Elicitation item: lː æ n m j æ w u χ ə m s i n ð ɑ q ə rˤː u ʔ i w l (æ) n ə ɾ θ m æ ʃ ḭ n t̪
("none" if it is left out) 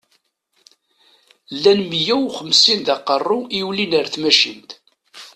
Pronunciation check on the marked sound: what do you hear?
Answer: i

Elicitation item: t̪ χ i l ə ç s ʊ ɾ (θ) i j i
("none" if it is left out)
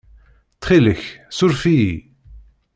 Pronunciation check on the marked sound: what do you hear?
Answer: f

